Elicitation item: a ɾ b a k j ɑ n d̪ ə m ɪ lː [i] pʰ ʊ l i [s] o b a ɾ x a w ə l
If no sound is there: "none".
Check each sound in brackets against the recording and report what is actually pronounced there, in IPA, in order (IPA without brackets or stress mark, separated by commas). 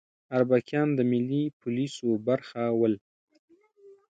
i, s